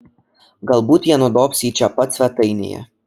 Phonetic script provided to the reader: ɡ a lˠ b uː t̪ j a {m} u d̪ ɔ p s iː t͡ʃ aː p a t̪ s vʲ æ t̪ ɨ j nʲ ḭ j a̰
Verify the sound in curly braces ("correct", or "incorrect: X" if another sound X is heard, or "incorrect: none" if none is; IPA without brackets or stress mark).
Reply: incorrect: n